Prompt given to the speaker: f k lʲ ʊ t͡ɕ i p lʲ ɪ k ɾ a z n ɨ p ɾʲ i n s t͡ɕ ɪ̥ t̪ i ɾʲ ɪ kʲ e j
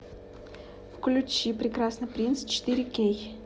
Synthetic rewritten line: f k lʲ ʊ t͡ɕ i p ɾʲ ɪ k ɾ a s n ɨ p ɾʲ i n s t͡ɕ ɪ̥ t̪ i ɾʲ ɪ kʲ e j